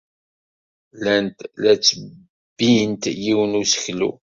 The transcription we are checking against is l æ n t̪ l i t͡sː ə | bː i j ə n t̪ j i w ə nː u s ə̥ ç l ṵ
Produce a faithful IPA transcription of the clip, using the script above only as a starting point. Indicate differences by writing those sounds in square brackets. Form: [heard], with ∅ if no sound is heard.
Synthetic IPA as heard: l æ n t̪ l [æ] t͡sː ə | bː i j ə n t̪ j i w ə [n] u s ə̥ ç l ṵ